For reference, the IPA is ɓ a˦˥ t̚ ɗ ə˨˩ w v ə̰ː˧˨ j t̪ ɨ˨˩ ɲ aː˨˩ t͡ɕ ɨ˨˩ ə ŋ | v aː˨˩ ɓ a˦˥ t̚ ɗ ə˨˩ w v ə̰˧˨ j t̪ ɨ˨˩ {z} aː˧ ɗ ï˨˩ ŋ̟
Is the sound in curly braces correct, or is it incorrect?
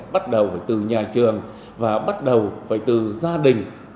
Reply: correct